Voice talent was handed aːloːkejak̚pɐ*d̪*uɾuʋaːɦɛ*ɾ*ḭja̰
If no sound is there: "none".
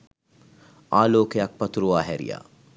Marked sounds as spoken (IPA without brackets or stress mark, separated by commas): t̪, ɾ